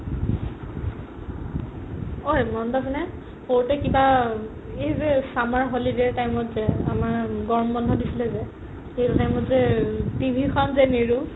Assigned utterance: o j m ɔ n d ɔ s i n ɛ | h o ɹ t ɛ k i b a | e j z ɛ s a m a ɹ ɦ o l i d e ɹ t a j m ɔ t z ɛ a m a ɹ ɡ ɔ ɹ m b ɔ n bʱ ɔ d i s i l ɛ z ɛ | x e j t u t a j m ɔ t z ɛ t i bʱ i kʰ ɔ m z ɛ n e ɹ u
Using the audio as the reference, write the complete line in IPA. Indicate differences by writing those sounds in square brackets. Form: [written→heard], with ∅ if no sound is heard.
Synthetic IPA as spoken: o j m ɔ n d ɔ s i n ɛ | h o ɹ t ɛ k i b a | e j z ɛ s a m a ɹ ɦ o l i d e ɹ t a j m ɔ t z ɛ a m a ɹ ɡ ɔ ɹ m b ɔ n [bʱ→dʱ] ɔ d i s i l ɛ z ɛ | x e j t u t a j m ɔ t z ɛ t i bʱ i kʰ ɔ [m→n] z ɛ n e ɹ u